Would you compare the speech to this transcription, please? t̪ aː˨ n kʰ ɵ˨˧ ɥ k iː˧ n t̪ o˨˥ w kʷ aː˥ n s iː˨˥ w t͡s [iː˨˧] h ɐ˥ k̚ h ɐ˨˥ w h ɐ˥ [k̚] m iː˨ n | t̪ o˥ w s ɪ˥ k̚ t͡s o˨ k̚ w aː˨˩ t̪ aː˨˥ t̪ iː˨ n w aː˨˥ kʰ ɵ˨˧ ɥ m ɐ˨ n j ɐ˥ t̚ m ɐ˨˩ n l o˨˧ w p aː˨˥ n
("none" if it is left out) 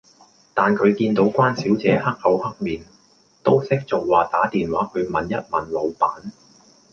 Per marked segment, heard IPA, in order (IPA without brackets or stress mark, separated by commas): ɛː˨˧, k̚